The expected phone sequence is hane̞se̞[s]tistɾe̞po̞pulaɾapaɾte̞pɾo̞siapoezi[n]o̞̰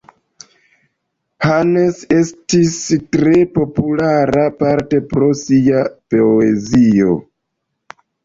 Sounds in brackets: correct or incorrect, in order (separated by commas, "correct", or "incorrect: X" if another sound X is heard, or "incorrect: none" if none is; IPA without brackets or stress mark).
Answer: correct, incorrect: none